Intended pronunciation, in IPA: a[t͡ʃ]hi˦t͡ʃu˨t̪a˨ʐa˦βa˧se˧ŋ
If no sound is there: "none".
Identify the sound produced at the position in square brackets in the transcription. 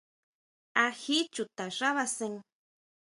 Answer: none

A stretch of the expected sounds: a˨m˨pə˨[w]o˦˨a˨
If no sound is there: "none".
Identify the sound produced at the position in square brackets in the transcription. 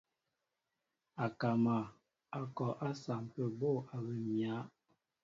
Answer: b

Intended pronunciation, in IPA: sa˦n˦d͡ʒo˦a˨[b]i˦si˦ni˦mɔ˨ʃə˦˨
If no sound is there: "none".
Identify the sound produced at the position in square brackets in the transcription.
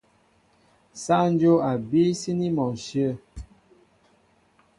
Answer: b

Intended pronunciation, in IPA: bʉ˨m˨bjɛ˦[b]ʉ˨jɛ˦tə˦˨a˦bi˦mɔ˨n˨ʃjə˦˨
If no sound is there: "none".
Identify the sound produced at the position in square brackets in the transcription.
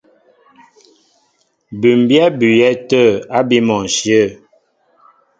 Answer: b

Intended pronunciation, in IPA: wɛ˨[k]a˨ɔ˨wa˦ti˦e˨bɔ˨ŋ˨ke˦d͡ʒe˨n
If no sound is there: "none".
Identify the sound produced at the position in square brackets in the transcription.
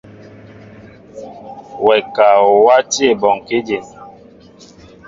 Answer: k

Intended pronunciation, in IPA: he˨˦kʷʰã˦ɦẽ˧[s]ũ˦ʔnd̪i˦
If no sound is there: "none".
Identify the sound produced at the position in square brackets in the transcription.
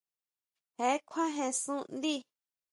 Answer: s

